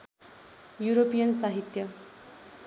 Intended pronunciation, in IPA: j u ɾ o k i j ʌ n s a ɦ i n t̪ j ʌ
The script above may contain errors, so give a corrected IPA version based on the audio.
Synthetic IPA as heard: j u ɾ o p i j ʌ n s a ɦ i t̪ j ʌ